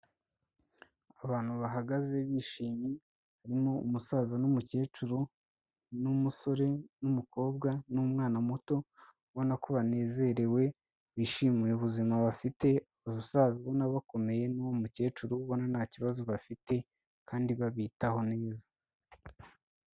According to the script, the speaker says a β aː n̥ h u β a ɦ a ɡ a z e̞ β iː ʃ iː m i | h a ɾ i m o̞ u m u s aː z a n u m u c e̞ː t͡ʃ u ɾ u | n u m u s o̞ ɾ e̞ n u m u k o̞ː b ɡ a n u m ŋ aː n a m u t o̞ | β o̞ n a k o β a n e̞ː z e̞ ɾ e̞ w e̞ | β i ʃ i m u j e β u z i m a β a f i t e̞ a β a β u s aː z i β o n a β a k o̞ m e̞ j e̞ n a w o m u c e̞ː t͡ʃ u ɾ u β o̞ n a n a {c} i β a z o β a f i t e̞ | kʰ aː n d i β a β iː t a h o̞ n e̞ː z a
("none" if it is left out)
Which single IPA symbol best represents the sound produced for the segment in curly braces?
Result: c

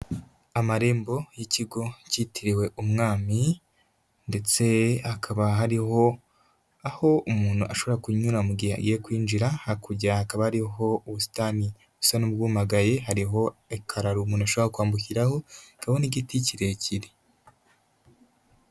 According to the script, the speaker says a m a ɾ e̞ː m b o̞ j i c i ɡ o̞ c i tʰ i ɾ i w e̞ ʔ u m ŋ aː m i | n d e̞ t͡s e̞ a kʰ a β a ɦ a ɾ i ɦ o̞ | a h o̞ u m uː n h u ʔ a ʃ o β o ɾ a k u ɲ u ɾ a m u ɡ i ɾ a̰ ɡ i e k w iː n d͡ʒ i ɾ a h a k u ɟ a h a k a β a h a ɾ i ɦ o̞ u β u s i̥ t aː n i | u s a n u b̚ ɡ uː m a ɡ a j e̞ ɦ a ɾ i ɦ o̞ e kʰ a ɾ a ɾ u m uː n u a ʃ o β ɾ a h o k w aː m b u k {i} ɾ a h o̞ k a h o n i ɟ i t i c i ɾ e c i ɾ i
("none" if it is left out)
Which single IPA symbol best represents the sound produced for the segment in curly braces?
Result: i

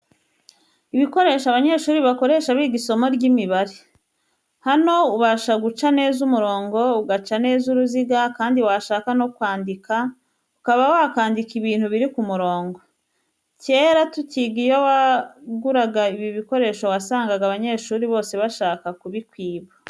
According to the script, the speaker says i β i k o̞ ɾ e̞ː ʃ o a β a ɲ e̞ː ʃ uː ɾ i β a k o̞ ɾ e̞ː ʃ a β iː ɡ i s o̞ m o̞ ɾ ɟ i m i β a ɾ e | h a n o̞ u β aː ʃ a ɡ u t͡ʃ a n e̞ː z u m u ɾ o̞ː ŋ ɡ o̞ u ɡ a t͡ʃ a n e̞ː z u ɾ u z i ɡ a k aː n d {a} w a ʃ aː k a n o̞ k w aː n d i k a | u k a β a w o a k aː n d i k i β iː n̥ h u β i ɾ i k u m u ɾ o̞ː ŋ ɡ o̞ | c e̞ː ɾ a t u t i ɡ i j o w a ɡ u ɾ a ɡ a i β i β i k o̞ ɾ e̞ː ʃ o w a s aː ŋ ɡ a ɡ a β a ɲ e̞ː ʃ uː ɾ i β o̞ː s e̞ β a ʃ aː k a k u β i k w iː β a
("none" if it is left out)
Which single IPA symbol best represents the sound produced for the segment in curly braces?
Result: i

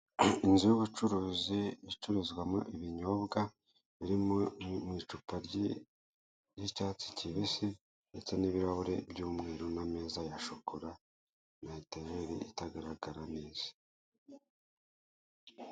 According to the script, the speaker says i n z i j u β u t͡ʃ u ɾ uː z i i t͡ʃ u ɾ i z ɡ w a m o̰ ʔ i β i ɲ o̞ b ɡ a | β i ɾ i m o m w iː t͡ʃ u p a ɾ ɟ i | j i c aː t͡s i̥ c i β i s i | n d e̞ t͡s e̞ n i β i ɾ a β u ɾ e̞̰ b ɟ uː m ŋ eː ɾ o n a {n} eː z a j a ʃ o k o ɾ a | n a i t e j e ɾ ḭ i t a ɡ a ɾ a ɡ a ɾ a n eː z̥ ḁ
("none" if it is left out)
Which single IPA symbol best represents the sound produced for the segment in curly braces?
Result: m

